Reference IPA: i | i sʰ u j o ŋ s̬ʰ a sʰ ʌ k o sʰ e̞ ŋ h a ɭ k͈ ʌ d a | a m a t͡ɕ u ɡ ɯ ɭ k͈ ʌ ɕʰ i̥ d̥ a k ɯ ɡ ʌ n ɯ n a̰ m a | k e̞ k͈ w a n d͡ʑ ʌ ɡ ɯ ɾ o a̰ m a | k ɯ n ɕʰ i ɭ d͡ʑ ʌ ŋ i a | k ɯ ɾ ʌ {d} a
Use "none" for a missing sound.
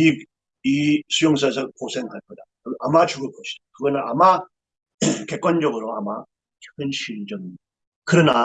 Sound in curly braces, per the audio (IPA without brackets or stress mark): n